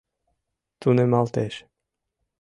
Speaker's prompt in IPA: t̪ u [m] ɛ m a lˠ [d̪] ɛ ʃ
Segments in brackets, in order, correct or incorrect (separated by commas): incorrect, incorrect